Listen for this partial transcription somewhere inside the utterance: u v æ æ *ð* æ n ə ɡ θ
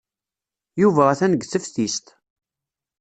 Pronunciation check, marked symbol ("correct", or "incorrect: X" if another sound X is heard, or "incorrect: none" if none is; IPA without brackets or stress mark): incorrect: θ